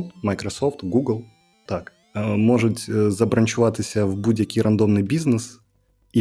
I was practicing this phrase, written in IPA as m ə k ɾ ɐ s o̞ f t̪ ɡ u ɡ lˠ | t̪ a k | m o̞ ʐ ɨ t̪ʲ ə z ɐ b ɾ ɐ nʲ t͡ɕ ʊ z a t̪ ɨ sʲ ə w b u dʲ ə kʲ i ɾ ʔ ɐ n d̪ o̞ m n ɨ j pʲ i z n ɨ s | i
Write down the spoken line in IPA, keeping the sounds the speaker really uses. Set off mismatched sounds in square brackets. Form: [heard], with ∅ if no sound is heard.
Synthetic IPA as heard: m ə k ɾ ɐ s o̞ f t̪ ɡ u ɡ lˠ | t̪ a k | m o̞ ʐ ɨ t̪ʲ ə z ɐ b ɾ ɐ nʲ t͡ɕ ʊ [v] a t̪ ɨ sʲ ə [v] b u dʲ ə kʲ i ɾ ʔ ɐ n d̪ o̞ m n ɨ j [bʲ] i z n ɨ s | i